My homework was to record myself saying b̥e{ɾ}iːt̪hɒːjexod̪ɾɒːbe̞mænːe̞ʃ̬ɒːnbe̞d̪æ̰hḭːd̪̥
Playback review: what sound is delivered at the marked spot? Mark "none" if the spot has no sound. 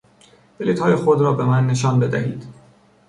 l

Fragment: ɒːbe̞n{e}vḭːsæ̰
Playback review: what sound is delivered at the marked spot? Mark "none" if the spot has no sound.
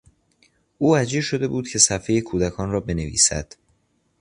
e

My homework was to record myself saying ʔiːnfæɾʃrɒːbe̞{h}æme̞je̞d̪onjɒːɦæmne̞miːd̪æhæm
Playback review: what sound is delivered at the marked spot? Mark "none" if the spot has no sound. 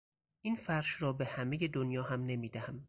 h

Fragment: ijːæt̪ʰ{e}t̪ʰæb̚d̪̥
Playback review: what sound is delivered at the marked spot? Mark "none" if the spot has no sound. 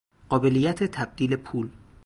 e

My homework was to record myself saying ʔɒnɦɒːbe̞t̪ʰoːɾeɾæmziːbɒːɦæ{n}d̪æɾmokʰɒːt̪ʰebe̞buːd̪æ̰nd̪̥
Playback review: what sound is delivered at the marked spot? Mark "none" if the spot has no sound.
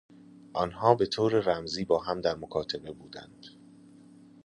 m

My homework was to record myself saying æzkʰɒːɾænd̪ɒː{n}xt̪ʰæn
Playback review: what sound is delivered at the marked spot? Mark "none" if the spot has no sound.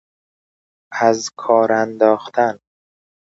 none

